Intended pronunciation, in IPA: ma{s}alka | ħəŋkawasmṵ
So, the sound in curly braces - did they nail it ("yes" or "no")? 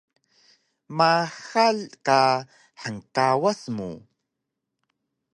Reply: no